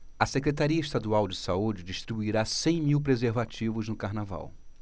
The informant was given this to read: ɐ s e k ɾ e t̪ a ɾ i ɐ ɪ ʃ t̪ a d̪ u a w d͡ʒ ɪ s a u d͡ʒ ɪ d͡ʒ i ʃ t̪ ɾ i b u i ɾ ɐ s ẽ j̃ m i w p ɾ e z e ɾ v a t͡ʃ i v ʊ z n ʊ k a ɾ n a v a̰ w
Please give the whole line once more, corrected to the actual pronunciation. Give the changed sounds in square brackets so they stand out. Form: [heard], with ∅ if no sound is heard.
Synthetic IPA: ɐ s e k ɾ e t̪ a ɾ i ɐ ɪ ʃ t̪ a d̪ u a w d͡ʒ ɪ s a u d͡ʒ ɪ d͡ʒ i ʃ t̪ ɾ i b u i ɾ [a] s ẽ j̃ m i w p ɾ e z e ɾ v a t͡ʃ i v ʊ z n ʊ k a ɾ n a v a̰ w